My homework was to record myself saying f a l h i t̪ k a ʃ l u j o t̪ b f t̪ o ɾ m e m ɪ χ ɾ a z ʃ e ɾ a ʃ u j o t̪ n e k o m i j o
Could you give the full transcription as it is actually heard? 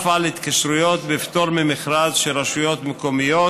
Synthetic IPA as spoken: f a l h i t̪ k a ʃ ɾ u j o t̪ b f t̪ o ɾ m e m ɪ χ ɾ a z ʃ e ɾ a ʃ u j o t̪ m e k o m i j o